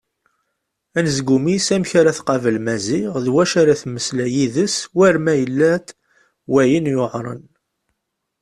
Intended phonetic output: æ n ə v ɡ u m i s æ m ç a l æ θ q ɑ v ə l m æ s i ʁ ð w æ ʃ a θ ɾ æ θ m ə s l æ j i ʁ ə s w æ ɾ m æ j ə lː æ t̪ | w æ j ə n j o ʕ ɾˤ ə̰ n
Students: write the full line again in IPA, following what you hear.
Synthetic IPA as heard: æ n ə z ɡ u m i s æ m ç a ɾ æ θ q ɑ v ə l m æ z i ʁ ð w æ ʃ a ɾ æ θ m ə s l æ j i ð ə s w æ ɾ m æ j ə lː æ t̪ | w æ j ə n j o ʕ ɾˤ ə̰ n